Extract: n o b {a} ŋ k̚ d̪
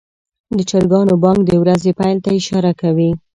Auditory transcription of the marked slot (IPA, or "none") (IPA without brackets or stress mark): ɑ